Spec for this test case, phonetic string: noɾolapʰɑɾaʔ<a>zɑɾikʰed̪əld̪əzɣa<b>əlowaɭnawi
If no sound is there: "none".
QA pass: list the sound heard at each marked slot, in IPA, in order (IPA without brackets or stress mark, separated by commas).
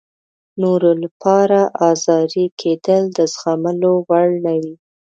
ɑ, m